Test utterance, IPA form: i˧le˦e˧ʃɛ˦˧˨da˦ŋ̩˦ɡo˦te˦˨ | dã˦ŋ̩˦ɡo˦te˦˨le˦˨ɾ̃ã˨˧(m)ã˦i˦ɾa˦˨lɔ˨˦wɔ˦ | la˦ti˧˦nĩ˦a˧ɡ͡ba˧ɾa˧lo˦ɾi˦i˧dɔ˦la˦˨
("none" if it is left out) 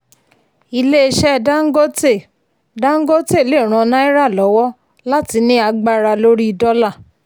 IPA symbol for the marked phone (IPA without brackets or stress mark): n